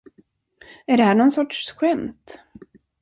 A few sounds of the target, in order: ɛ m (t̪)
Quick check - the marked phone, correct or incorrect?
correct